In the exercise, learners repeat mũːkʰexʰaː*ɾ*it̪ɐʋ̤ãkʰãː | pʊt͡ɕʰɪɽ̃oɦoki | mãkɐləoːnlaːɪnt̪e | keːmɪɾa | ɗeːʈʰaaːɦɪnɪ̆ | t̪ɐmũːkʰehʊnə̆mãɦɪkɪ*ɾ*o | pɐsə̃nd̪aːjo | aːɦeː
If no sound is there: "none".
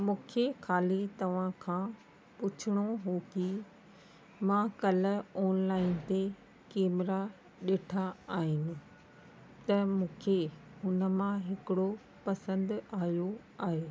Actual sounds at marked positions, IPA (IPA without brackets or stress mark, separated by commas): l, ɽ